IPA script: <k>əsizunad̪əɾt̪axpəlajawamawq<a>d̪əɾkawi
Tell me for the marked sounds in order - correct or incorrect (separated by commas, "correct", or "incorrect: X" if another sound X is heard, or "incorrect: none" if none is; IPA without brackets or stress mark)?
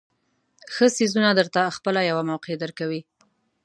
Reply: incorrect: x, incorrect: e